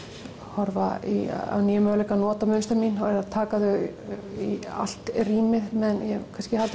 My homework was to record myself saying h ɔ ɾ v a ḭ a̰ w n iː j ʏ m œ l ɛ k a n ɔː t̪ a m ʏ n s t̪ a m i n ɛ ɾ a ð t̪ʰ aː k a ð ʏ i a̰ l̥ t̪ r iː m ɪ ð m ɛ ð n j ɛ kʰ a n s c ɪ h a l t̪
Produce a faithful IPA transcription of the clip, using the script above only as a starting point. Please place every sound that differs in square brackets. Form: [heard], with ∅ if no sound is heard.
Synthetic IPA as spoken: h ɔ ɾ v a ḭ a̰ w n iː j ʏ m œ l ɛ k a n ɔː t̪ a m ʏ n s t̪ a m i n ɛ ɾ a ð t̪ʰ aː k a ð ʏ i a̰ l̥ t̪ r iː m ɪ ð m ɛ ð n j ɛ kʰ a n s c ɪ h a l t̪